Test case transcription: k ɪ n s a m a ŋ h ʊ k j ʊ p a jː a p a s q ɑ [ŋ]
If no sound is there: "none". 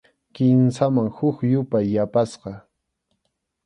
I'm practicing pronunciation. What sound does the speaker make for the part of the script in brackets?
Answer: none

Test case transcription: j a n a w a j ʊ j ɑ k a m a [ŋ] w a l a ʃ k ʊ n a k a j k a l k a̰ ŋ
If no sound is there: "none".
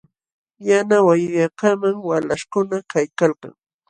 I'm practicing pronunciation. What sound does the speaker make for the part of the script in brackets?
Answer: ŋ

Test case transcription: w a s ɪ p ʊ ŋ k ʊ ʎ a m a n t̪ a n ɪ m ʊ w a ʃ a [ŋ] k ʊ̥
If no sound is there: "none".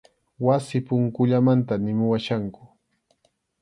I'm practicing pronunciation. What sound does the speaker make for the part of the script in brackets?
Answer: ŋ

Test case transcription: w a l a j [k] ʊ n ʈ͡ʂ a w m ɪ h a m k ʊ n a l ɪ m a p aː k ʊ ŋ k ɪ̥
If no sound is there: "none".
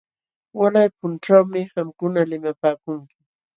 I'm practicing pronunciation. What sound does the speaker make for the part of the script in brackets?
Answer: p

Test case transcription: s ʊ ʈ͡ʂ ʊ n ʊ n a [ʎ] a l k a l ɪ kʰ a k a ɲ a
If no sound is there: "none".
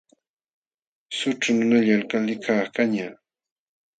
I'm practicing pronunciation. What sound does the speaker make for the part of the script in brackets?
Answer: ʎ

